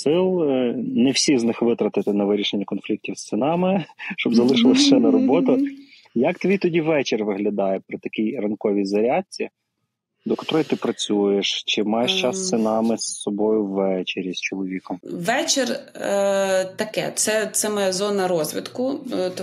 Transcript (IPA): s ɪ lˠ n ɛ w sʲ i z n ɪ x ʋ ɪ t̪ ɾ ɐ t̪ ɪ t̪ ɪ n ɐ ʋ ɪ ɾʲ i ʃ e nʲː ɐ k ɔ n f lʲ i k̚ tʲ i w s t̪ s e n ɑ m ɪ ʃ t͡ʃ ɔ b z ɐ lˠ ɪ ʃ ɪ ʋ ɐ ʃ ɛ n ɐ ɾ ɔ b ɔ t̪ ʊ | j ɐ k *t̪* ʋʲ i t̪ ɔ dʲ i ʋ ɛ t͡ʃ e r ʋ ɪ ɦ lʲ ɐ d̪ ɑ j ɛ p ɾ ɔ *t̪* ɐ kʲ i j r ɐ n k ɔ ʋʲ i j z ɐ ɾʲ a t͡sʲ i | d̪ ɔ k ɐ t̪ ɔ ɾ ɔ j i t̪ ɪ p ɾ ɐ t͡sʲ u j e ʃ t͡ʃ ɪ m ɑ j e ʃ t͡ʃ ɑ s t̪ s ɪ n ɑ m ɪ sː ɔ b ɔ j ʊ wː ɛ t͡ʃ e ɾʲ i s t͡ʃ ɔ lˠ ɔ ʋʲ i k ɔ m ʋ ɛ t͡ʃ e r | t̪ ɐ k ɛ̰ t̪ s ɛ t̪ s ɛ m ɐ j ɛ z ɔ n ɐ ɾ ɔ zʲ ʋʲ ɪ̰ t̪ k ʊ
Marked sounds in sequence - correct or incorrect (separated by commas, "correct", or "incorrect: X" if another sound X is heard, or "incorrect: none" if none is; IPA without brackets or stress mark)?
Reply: correct, correct